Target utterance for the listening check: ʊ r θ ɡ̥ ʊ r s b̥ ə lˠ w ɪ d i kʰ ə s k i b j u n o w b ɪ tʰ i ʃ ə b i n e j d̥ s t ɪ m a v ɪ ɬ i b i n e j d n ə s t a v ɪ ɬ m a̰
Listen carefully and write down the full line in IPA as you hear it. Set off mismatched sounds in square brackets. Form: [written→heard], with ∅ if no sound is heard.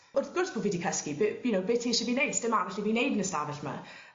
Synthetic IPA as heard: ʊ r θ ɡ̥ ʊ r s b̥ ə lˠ [w→v] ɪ d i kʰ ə s k i b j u n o w b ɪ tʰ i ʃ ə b i n e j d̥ s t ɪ m a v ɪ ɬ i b i n e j d n ə s t a v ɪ ɬ m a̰